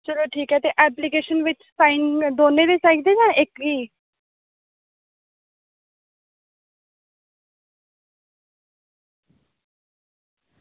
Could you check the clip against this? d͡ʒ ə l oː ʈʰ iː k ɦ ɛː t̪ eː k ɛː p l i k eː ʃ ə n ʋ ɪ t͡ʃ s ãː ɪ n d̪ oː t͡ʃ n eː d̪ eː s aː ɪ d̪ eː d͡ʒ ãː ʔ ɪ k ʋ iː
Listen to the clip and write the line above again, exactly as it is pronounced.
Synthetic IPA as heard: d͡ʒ ə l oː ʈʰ iː k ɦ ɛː t̪ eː ʔ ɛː p l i k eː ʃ ə n ʋ ɪ t͡ʃ s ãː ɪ n d̪ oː n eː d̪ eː s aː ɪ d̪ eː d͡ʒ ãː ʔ ɪ k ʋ iː